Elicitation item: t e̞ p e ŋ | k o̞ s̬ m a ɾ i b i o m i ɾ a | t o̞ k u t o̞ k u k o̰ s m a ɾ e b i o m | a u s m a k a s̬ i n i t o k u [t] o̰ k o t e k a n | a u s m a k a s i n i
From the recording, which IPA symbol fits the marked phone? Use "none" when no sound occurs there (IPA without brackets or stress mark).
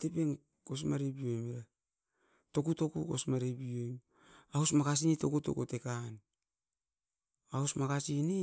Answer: t